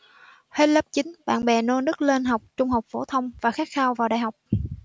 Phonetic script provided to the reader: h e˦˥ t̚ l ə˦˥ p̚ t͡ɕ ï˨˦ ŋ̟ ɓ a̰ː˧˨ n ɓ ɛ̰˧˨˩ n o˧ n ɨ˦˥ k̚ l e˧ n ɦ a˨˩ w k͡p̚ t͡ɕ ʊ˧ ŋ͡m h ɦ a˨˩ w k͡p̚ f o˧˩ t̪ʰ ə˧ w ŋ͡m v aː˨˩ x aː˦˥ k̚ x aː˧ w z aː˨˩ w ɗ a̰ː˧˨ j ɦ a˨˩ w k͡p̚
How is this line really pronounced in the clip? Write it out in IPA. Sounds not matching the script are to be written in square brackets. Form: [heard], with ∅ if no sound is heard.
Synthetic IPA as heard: h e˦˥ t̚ l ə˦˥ p̚ t͡ɕ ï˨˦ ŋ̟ ɓ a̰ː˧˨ n ɓ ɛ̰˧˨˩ n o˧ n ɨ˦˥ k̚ l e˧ n ɦ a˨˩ w k͡p̚ t͡ɕ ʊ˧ ŋ͡m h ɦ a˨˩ w k͡p̚ f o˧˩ t̪ʰ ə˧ w ŋ͡m v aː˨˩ x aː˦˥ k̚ x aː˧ w [v] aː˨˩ w ɗ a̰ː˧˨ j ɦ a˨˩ w k͡p̚